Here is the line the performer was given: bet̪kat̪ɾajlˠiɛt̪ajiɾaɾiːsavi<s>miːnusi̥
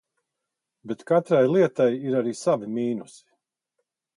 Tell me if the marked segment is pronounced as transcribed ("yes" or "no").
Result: no